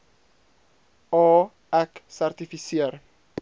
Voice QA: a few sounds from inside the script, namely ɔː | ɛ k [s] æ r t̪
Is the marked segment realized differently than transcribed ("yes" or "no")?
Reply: no